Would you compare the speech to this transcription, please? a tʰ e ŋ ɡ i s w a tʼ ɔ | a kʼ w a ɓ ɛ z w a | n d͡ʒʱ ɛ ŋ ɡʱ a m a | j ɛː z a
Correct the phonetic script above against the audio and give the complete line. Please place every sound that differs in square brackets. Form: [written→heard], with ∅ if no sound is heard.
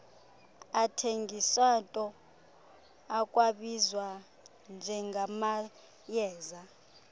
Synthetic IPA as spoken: a tʰ e ŋ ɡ i s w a tʼ ɔ | a kʼ w a ɓ [ɛ→i] z w a | n d͡ʒʱ ɛ ŋ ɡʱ a m a | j ɛː z a